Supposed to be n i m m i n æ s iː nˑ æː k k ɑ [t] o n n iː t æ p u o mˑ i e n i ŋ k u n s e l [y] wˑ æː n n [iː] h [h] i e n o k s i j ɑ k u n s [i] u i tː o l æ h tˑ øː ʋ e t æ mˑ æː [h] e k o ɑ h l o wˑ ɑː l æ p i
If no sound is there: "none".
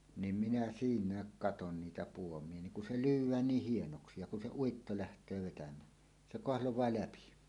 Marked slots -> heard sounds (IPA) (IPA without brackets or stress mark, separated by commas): t, yː, iː, h, e, s